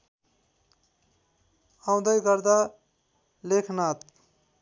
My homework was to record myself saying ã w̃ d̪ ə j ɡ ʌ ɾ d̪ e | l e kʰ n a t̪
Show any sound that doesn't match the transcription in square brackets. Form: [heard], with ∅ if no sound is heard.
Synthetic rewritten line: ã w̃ d̪ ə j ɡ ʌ ɾ d̪ [a] | l e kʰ n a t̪